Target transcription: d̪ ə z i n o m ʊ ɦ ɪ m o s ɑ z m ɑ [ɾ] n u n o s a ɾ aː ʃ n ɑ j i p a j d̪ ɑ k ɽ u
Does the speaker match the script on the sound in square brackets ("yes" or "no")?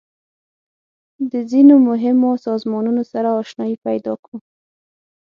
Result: no